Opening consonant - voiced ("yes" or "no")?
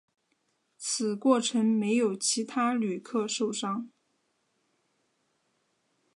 no